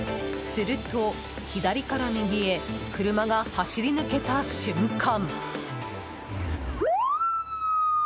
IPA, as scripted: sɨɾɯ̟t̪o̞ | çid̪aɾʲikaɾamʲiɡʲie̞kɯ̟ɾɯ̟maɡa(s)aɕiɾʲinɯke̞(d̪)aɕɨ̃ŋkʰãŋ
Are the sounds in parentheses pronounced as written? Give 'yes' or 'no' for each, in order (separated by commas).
no, no